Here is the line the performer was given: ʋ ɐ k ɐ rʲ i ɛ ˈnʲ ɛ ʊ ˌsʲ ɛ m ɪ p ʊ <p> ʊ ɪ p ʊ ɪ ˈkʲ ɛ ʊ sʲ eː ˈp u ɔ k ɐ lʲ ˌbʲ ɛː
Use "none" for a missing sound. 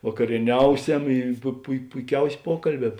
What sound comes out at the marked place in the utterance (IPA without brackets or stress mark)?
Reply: p